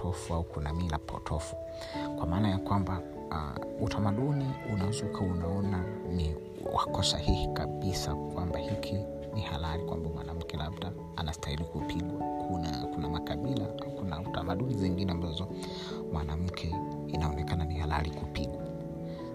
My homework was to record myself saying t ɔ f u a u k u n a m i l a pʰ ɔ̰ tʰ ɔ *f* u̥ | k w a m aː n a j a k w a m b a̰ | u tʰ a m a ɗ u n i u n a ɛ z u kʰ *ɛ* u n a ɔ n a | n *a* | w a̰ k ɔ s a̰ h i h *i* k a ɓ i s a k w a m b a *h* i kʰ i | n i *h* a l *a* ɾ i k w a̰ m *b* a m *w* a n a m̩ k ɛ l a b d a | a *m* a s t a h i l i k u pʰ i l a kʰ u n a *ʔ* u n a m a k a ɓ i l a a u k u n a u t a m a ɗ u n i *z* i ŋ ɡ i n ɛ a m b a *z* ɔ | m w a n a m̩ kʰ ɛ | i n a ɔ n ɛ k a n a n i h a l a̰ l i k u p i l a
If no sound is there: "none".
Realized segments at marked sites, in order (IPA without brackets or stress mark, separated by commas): f, a, i, i, h, h, a, b, w, n, k, z, z